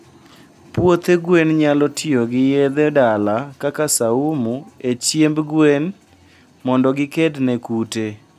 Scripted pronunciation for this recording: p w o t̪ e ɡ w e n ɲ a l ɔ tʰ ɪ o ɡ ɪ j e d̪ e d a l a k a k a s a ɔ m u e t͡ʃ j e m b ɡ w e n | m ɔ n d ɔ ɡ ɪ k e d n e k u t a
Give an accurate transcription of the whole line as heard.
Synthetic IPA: p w o t̪ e ɡ w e n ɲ a l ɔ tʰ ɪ o ɡ ɪ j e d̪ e d a l a k a k a s a u m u e t͡ʃ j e m b ɡ w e n | m ɔ n d ɔ ɡ ɪ k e d n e k u t e